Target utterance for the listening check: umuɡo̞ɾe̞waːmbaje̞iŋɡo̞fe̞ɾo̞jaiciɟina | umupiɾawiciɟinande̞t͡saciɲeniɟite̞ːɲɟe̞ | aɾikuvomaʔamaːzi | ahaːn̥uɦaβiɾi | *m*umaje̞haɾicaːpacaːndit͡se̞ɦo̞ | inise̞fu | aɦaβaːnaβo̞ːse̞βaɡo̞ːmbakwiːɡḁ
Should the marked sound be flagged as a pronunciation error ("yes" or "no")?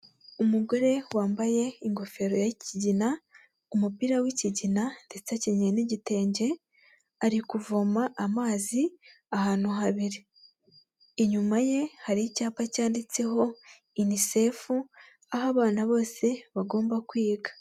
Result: yes